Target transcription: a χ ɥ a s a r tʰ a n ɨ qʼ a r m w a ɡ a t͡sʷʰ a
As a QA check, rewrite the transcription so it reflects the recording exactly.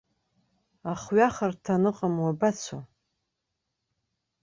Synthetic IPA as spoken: a χ ɥ a χ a r tʰ a n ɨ qʼ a m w a b a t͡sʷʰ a